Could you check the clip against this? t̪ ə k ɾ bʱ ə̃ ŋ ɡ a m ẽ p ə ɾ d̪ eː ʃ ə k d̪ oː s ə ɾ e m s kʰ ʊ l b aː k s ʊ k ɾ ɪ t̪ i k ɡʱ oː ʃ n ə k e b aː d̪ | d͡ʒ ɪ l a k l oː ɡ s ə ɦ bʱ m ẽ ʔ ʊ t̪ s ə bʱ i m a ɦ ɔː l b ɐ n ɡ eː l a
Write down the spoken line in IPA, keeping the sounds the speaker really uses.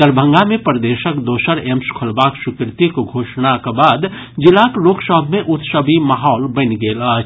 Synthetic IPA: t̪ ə ɾ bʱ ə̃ ŋ ɡ a m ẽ p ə ɾ d̪ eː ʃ ə k d̪ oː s ə ɾ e m s kʰ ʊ l b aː k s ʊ k ɾ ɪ t̪ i k ɡʱ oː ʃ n a k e b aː d̪ | d͡ʒ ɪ l a k l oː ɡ s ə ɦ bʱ m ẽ ʔ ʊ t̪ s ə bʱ i m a ɦ ɔː l b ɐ n ɡ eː l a